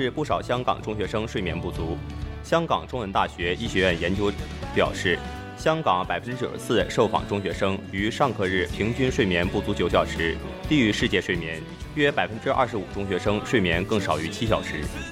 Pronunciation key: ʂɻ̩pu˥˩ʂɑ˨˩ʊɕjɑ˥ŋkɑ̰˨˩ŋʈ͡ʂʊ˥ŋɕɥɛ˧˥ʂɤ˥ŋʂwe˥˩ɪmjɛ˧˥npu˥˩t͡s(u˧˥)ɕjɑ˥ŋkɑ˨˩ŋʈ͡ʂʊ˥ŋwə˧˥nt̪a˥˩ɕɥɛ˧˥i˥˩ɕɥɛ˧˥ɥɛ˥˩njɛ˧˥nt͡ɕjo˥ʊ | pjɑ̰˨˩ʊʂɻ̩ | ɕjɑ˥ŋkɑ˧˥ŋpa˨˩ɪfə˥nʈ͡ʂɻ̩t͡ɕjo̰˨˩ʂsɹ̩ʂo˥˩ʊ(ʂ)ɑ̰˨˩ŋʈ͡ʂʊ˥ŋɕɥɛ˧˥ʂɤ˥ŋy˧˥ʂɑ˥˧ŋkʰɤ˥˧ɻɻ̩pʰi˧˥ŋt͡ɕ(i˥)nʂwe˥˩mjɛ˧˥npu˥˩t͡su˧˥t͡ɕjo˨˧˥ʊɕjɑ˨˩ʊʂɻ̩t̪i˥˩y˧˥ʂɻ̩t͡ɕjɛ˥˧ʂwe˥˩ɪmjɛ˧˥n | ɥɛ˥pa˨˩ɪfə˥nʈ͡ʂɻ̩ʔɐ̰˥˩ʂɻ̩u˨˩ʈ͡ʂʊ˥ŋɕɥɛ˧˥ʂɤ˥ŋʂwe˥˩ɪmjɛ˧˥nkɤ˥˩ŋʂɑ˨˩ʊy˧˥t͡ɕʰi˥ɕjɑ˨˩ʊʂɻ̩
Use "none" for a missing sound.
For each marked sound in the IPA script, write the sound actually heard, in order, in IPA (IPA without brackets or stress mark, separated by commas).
u˧˥, f, y˥